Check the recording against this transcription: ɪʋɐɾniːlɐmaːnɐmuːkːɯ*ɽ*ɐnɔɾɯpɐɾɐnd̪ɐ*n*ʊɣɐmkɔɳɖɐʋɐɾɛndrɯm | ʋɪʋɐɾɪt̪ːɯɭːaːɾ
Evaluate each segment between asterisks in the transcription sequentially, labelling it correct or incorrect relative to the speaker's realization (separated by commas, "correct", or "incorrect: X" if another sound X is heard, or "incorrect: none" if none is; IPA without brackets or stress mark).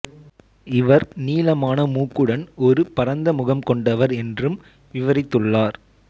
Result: correct, incorrect: m